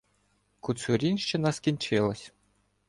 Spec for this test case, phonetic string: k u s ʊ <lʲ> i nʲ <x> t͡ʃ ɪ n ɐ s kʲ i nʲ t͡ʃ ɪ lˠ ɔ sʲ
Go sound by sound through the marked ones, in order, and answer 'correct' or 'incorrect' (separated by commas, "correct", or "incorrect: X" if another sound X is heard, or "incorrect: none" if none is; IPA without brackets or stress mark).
incorrect: ɾʲ, incorrect: ʃ